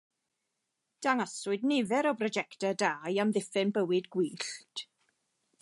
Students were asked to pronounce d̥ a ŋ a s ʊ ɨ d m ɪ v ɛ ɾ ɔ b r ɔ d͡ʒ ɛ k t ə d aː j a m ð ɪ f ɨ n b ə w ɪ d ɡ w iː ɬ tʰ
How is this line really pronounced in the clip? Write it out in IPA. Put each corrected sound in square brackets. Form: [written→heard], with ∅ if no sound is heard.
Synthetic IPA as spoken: d̥ a ŋ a s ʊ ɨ d [m→n] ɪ v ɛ ɾ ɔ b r ɔ d͡ʒ ɛ k t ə d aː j a m ð ɪ f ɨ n b ə w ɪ d ɡ w iː ɬ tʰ